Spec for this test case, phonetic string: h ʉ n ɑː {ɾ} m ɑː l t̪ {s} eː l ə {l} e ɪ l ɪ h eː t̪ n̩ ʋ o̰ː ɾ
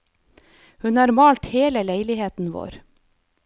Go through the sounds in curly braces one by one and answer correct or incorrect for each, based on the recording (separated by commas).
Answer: correct, incorrect, correct